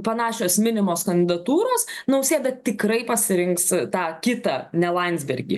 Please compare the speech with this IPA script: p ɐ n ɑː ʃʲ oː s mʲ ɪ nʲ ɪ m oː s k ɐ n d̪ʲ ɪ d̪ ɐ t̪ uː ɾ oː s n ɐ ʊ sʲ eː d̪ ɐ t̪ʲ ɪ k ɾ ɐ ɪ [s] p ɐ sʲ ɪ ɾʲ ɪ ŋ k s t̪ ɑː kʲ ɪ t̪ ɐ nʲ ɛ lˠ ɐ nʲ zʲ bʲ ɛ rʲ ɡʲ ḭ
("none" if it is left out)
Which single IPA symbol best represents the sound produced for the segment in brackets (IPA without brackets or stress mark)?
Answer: none